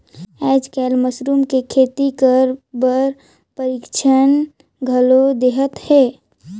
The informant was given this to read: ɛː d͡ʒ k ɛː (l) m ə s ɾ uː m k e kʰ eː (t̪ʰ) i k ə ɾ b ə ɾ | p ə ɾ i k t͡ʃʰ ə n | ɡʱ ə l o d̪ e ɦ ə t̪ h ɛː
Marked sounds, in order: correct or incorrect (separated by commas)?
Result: correct, incorrect